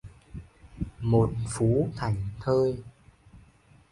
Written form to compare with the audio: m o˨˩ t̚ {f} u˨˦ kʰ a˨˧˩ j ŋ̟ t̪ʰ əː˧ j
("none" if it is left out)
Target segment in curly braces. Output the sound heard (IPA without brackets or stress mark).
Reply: f